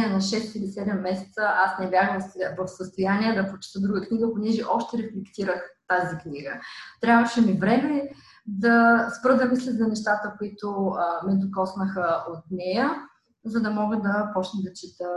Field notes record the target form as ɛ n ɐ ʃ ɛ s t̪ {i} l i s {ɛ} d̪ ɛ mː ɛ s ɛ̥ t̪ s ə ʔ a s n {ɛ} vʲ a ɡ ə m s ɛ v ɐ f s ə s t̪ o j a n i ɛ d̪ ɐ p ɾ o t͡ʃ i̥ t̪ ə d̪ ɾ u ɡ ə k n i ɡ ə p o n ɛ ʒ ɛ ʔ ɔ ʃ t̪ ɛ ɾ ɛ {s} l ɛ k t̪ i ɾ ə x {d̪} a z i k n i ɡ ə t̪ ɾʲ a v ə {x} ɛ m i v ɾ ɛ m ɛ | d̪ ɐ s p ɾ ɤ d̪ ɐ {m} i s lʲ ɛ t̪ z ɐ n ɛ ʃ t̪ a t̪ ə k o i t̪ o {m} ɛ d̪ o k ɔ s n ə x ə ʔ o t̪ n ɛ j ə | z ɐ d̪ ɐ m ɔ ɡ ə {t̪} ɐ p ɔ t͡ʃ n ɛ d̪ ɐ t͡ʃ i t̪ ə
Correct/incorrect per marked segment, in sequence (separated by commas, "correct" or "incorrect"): correct, correct, correct, incorrect, incorrect, incorrect, correct, correct, incorrect